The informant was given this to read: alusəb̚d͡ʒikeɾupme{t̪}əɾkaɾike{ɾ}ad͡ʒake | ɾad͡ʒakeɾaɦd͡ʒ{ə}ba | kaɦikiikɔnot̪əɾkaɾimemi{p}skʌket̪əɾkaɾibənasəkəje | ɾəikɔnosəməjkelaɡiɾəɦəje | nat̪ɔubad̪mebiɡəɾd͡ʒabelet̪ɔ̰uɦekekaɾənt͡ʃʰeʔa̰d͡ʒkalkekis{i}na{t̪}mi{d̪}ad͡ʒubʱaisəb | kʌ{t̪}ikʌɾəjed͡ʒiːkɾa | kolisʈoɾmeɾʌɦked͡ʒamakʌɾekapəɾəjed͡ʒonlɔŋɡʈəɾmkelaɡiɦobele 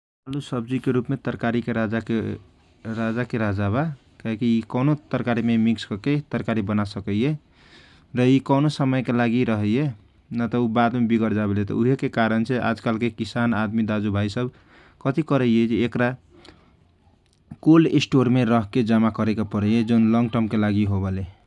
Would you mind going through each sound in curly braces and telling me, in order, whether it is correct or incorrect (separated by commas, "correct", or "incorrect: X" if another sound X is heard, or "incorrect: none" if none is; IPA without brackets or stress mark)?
correct, correct, incorrect: a, incorrect: k, incorrect: a, incorrect: d̪, correct, correct